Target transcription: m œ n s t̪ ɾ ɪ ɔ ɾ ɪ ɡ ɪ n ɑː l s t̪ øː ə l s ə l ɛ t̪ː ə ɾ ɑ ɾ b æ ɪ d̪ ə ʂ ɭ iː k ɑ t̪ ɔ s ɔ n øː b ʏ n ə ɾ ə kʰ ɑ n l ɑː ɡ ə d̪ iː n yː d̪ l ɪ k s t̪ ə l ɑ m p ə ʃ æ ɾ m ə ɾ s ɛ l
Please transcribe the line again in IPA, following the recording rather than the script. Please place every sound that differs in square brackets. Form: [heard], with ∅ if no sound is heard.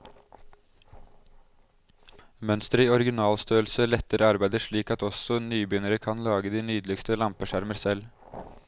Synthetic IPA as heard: m œ n s t̪ ɾ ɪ ɔ ɾ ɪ ɡ ɪ n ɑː l s t̪ øː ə l s ə l ɛ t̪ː ə ɾ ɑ ɾ b æ ɪ d̪ ə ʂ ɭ iː k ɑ t̪ ɔ s ɔ n [yː] b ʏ n ə ɾ ə kʰ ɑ n l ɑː ɡ ə d̪ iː n yː d̪ l ɪ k s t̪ ə l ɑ m p ə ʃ æ ɾ m ə ɾ s ɛ l